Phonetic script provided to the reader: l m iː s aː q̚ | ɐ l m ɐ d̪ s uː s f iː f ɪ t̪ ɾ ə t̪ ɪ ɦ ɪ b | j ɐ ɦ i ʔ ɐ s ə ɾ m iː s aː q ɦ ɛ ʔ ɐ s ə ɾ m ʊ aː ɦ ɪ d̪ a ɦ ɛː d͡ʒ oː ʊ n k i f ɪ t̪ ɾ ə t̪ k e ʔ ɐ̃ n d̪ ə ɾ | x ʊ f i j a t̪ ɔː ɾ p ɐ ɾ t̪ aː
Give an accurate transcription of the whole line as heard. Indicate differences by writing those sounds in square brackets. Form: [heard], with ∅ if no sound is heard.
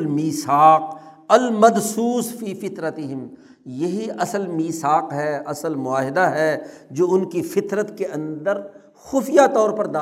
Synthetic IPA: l m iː s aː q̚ | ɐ l m ɐ d̪ s uː s f iː f ɪ t̪ ɾ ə t̪ ɪ ɦ ɪ [m] | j ɐ ɦ i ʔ ɐ s ə [l] m iː s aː q ɦ ɛ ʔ ɐ s ə [l] m ʊ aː ɦ ɪ d̪ a ɦ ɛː d͡ʒ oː ʊ n k i f ɪ t̪ ɾ ə t̪ k e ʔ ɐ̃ n d̪ ə ɾ | x ʊ f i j a t̪ ɔː ɾ p ɐ ɾ [d̪] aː